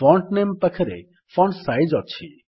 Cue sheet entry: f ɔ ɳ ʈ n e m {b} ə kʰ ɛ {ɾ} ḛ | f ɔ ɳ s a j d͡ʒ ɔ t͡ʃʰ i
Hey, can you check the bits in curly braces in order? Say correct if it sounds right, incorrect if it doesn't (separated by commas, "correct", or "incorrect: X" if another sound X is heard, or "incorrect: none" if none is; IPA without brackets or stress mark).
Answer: incorrect: p, correct